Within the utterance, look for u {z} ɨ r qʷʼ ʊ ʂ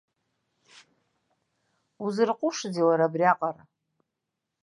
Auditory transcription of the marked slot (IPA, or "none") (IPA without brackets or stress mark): z